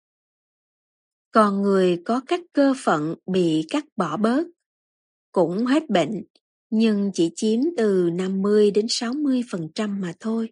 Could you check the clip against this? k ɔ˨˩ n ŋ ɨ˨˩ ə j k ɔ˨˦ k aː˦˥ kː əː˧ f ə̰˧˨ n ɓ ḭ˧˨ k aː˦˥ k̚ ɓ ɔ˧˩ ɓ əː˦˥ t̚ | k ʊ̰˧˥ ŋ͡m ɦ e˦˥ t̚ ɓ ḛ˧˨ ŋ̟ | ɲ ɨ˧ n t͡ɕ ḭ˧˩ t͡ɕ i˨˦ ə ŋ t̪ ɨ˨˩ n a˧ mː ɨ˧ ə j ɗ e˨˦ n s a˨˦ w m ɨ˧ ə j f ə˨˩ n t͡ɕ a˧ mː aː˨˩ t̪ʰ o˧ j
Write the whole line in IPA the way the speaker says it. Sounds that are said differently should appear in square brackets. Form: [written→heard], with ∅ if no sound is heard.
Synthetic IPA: k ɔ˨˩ n ŋ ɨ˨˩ ə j k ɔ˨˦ k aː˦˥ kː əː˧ f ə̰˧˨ n ɓ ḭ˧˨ k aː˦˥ k̚ ɓ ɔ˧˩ ɓ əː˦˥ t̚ | k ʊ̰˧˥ ŋ͡m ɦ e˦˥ t̚ ɓ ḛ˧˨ ŋ̟ | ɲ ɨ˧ [n→ŋ] t͡ɕ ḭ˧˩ t͡ɕ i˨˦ ə [ŋ→m] t̪ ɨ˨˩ n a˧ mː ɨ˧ ə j ɗ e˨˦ n s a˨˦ w m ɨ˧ ə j f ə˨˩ n t͡ɕ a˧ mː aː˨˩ t̪ʰ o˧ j